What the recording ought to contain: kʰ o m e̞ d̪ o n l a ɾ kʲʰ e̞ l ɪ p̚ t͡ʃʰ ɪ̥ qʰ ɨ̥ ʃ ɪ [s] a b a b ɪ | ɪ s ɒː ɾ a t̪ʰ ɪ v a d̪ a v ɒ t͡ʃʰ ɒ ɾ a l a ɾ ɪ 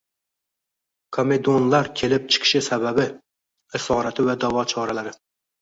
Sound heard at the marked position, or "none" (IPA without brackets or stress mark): s